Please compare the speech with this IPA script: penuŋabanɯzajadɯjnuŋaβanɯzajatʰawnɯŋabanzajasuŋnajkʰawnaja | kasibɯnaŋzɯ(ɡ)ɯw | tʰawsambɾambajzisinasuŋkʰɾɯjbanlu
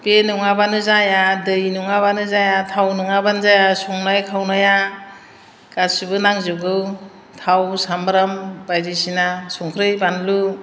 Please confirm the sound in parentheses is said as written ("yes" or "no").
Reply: yes